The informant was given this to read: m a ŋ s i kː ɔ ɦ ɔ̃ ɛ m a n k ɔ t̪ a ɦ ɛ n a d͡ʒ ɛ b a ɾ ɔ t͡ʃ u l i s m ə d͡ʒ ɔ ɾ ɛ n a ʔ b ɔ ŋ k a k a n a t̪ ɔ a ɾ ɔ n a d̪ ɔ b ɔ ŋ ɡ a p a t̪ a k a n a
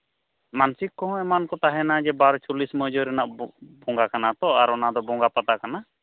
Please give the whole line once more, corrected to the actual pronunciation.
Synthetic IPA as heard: m a n s i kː ɔ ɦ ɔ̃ ɛ m a n k ɔ t̪ a ɦ ɛ n a d͡ʒ ɛ b a ɾ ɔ t͡ʃ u l i s m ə d͡ʒ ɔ ɾ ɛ n a ʔ b ɔ ŋ ɡ a k a n a t̪ ɔ a ɾ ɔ n a d̪ ɔ b ɔ ŋ ɡ a p a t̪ a k a n a

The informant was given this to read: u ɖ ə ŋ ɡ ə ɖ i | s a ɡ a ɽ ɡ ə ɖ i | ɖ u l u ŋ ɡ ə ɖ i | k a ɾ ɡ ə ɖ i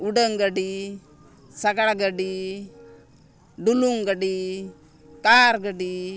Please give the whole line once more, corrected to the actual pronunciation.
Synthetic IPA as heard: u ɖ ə ŋ ɡ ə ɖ i | s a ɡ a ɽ ɡ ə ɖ i | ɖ u l u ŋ ɡ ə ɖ i | k a ɾ ɡ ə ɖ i

